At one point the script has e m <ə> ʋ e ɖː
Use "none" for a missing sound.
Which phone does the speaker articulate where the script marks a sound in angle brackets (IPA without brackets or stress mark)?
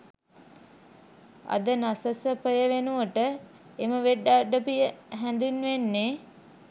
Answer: ə